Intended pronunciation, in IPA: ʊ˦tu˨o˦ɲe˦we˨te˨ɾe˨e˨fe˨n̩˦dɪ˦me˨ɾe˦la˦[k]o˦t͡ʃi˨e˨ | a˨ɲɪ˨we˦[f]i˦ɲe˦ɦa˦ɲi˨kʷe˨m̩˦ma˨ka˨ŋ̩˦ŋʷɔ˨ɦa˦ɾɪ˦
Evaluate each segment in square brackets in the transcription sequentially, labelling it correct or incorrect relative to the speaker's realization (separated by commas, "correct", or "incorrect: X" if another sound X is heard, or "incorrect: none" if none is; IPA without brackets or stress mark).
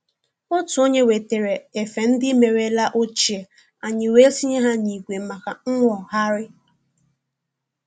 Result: incorrect: ʔ, incorrect: s